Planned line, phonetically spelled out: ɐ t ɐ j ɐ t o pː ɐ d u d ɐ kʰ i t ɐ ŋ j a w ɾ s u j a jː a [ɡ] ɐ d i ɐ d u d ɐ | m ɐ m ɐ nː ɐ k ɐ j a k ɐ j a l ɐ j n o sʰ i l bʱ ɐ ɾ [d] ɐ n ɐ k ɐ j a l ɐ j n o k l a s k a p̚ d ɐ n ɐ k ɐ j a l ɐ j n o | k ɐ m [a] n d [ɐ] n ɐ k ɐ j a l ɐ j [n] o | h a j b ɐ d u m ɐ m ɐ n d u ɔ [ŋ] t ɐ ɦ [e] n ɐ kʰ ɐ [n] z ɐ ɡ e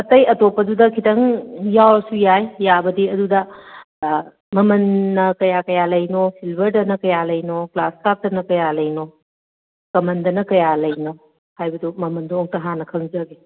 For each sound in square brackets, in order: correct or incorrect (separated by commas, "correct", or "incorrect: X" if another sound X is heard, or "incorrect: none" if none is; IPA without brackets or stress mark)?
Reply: incorrect: b, correct, incorrect: ɐ, correct, correct, correct, incorrect: a, incorrect: ŋ